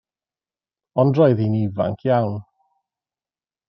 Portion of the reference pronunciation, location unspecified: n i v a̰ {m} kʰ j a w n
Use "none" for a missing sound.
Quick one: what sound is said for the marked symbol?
ŋ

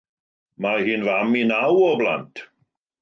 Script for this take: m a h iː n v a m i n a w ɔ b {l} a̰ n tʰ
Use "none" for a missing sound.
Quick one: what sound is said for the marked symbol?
l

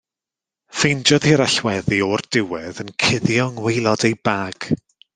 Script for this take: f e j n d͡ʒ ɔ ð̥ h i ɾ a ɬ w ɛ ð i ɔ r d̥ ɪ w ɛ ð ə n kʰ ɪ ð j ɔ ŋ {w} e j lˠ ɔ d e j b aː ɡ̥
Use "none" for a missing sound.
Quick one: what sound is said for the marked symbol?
w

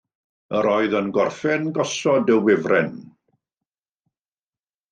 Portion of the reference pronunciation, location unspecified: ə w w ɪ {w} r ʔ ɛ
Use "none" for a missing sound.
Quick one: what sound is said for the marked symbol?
v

